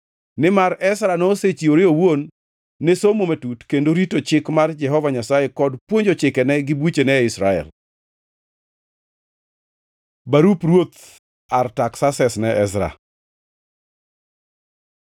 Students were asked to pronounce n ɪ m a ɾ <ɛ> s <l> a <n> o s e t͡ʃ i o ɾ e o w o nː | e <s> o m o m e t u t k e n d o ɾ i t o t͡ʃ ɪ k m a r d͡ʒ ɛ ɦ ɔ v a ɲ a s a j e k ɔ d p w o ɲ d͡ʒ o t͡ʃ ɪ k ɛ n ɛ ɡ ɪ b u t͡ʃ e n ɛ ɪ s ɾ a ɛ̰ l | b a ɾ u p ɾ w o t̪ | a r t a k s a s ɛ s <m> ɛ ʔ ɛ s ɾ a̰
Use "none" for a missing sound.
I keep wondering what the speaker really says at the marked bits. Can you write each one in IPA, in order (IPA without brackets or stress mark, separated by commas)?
ɛ, ɾ, n, s, n